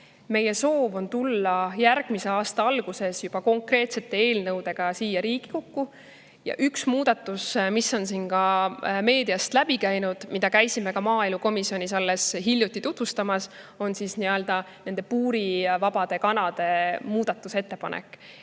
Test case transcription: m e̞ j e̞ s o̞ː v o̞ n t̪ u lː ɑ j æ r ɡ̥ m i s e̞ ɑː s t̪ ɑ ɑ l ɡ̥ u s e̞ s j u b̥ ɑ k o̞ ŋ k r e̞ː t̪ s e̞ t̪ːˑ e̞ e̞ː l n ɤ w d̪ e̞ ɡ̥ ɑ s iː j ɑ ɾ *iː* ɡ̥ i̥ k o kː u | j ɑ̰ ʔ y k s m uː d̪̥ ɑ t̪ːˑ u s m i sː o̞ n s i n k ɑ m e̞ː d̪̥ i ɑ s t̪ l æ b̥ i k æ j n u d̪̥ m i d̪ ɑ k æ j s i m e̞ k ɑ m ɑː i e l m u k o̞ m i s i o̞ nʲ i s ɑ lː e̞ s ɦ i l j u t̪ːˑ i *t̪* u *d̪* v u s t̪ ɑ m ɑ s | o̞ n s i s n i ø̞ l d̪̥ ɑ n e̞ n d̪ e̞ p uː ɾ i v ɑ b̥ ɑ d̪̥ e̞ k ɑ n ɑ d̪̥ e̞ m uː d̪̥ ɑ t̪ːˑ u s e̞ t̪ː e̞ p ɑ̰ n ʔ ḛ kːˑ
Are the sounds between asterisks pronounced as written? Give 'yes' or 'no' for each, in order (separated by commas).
yes, yes, no